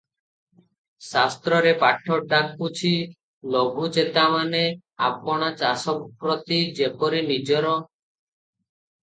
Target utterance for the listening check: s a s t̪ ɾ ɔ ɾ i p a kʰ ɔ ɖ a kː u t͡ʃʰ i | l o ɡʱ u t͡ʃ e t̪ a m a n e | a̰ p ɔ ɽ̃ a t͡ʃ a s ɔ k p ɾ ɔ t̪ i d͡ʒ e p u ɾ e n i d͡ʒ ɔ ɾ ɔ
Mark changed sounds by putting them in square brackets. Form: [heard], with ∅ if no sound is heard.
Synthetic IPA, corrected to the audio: s a s t̪ ɾ ɔ ɾ [e] p a [ʈʰ] ɔ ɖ a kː u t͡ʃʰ i | l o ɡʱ u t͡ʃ e t̪ a m a n e | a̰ p ɔ ɽ̃ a t͡ʃ a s ɔ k p ɾ ɔ t̪ i d͡ʒ e p [ɔ] ɾ [i] n i d͡ʒ ɔ ɾ ɔ